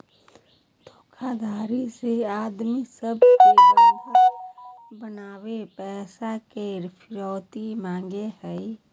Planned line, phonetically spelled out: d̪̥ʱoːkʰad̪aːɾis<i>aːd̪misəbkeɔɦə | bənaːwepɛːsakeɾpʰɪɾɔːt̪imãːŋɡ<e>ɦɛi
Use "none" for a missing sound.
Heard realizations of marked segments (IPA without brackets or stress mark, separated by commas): e, e